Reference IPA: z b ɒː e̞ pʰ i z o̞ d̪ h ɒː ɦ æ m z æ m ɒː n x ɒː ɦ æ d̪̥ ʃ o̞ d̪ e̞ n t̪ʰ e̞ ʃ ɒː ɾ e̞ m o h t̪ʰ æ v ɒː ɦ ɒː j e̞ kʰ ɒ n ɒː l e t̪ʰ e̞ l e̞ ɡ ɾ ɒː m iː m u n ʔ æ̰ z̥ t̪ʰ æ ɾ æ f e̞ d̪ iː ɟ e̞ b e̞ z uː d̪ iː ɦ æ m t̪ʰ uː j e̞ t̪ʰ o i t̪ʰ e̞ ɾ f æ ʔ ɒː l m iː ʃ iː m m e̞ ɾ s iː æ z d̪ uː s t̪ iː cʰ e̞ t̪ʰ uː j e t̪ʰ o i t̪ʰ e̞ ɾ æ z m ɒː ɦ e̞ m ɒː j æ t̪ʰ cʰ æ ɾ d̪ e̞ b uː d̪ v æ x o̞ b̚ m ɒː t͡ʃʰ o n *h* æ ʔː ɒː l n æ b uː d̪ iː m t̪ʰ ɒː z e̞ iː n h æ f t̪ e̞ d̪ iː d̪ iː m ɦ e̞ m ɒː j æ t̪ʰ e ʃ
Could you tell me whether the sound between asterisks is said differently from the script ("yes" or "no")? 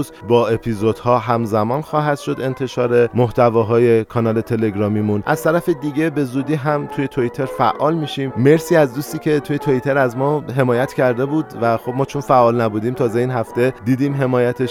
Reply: yes